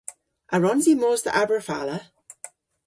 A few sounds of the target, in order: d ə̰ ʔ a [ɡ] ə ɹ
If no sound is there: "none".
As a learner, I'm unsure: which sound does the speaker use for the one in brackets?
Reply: b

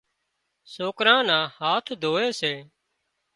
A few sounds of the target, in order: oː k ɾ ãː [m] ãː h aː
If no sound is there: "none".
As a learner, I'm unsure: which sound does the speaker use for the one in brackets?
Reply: n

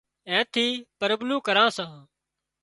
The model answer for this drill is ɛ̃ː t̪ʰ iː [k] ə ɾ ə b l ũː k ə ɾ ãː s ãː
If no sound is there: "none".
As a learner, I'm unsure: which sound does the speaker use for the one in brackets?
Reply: p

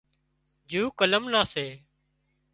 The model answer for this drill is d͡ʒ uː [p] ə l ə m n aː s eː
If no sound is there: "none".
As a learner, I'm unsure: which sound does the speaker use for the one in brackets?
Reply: k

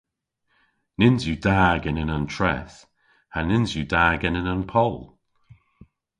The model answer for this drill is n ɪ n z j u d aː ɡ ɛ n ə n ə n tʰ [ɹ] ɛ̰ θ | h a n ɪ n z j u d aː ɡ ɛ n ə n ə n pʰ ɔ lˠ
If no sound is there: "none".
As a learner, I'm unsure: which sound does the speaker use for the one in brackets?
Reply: ɹ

